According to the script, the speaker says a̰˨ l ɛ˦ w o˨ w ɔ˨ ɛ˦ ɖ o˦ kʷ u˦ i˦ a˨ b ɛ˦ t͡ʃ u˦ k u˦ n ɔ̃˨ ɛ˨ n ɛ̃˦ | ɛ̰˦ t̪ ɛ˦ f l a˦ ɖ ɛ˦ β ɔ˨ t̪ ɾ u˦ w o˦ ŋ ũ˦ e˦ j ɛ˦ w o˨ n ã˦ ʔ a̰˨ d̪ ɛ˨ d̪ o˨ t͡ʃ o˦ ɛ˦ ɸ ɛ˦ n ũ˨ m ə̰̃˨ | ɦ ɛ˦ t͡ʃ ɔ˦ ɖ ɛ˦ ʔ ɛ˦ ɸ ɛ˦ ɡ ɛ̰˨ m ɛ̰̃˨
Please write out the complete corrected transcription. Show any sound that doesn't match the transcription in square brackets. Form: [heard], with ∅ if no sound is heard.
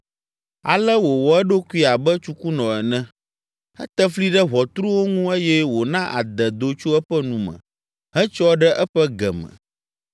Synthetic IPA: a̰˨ l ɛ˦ w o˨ w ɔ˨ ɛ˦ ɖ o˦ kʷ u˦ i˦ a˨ b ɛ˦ t͡ʃ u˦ k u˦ n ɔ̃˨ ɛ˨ n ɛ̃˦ | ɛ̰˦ t̪ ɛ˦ f l [i˦] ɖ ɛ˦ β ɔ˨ t̪ ɾ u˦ w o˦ ŋ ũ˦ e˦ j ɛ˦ w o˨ n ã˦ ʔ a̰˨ d̪ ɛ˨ d̪ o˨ t͡ʃ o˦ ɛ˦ ɸ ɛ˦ n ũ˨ m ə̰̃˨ | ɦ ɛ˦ t͡ʃ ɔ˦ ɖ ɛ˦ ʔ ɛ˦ ɸ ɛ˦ ɡ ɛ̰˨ m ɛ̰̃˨